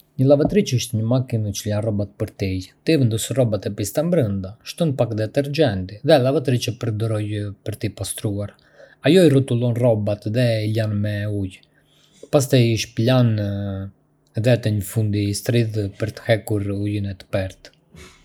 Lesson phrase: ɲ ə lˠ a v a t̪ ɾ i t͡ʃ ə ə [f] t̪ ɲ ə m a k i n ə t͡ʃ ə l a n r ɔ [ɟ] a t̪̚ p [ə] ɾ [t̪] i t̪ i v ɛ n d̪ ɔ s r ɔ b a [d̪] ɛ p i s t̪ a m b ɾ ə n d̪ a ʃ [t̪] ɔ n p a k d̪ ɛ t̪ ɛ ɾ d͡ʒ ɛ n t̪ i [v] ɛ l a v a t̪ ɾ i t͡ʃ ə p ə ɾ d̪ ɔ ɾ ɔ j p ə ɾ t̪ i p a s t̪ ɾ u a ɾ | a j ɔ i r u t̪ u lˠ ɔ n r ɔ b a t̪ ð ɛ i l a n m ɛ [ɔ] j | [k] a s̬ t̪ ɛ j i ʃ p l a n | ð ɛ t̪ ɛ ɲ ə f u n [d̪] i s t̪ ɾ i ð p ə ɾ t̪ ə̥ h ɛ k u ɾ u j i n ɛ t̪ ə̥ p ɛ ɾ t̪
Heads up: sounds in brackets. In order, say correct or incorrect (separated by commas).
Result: incorrect, incorrect, correct, correct, incorrect, correct, incorrect, incorrect, incorrect, correct